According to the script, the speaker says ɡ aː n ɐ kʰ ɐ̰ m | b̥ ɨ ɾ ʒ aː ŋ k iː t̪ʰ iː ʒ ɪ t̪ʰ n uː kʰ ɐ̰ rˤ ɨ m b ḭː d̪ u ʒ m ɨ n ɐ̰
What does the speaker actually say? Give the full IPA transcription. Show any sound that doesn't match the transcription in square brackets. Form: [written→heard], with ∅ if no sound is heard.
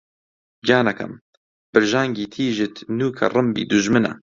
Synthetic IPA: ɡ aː n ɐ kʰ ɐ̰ m | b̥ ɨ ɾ ʒ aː ŋ [k→ɡ] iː t̪ʰ iː ʒ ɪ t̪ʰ n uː kʰ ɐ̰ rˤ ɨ m b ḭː d̪ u ʒ m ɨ n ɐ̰

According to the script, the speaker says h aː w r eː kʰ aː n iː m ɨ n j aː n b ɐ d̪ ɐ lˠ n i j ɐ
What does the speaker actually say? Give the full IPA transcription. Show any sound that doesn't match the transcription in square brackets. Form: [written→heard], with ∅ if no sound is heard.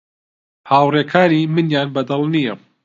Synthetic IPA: h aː w r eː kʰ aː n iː m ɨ n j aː n b ɐ d̪ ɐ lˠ n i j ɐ

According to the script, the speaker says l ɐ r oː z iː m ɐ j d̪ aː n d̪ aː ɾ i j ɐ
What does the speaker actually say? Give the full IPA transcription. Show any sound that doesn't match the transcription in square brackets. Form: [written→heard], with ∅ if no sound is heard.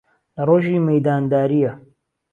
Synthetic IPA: l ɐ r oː [z→ʒ] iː m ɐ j d̪ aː n d̪ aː ɾ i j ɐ

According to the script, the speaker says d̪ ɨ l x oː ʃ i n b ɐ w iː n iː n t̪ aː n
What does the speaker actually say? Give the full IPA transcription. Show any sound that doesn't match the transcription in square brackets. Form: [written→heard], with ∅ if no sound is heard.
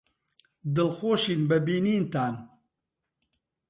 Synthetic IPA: d̪ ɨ l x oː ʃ i n b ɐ [w→b] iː n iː n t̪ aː n

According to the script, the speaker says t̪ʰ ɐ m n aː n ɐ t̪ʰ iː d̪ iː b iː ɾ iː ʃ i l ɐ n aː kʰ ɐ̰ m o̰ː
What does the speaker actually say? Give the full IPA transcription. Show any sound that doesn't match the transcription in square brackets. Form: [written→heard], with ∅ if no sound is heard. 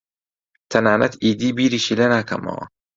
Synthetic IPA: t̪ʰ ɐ [m→∅] n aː n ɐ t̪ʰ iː d̪ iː b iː ɾ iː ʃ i l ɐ n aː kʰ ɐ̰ m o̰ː

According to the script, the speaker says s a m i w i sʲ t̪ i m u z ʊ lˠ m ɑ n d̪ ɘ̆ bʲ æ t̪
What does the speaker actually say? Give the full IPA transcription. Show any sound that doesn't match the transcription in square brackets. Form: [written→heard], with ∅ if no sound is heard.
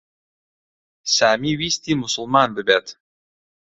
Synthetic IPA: s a m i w i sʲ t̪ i m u [z→s] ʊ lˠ m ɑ n d̪ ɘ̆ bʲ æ t̪

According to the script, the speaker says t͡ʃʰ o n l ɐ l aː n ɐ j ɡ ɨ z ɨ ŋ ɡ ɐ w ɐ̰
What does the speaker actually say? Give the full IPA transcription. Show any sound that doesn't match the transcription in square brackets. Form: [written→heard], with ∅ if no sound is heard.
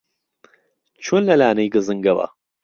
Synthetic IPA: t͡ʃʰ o n l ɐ l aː n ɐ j ɡ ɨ z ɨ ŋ ɡ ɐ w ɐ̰

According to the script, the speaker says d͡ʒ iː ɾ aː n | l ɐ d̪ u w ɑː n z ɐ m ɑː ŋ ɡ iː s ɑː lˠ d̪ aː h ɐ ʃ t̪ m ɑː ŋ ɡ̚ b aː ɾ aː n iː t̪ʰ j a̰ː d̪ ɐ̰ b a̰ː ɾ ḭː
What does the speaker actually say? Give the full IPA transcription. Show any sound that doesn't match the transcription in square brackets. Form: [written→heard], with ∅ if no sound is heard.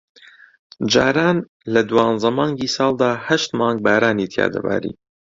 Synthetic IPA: d͡ʒ [iː→aː] ɾ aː n | l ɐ d̪ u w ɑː n z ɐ m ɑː ŋ ɡ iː s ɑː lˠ d̪ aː h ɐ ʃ t̪ m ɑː ŋ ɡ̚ b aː ɾ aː n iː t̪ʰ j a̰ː d̪ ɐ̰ b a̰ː ɾ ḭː

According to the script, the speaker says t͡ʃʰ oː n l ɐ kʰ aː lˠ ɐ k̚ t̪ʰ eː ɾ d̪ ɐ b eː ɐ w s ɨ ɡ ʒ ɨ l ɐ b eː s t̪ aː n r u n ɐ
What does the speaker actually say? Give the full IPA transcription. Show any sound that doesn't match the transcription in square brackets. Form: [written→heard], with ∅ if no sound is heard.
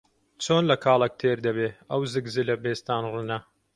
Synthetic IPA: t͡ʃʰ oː n l ɐ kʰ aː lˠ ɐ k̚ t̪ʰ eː ɾ d̪ ɐ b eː ɐ w [s→z] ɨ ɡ [ʒ→z] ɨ l ɐ b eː s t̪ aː n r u n ɐ

